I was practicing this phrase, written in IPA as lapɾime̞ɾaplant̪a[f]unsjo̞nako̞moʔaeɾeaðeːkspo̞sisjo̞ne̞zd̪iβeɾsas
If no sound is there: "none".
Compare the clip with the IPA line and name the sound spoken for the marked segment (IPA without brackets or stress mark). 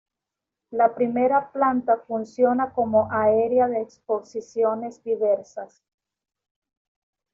f